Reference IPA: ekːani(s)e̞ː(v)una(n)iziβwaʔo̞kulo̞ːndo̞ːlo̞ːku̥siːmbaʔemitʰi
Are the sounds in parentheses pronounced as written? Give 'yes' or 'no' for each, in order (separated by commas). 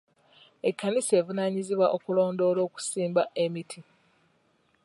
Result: yes, yes, no